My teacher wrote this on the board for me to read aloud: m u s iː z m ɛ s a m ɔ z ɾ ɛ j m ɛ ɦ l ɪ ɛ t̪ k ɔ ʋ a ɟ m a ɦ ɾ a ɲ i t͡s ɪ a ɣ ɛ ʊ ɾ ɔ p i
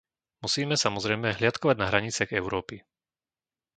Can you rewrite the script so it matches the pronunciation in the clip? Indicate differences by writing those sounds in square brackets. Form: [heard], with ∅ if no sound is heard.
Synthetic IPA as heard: m u s iː [∅] m ɛ s a m ɔ z ɾ ɛ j m ɛ ɦ l ɪ [a] t̪ k ɔ ʋ a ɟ [n] a ɦ ɾ a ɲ i t͡s ɪ a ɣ ɛ ʊ ɾ [ɔː] p i